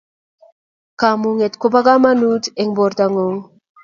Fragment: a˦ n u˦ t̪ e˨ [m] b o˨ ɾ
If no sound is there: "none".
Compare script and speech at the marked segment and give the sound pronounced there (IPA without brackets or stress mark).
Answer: ŋ